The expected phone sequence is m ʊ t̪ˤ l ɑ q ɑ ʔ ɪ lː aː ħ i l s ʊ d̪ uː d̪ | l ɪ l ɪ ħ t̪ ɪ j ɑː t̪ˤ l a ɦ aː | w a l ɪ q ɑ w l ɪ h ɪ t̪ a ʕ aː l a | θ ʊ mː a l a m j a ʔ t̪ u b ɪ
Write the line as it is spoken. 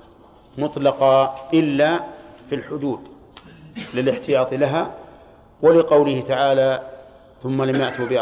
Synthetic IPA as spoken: m ʊ t̪ˤ l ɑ q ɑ ʔ ɪ lː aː f i l ħ ʊ d̪ uː d̪ | l ɪ l ɪ ħ t̪ ɪ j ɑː t̪ˤ l a ɦ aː | w a l ɪ q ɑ w l ɪ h ɪ t̪ a ʕ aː l a | θ ʊ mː a l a m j a ʔ t̪ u b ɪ